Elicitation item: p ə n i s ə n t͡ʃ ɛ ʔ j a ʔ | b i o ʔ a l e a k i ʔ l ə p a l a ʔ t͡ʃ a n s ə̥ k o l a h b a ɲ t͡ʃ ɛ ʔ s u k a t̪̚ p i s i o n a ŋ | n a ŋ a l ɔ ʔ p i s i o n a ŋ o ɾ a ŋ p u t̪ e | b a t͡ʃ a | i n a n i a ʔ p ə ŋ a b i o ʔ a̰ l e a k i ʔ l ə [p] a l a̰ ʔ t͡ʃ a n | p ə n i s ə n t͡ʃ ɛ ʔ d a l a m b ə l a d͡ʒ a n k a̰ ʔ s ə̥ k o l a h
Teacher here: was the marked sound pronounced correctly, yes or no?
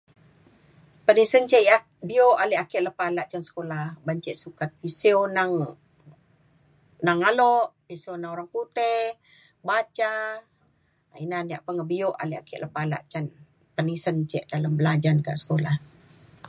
yes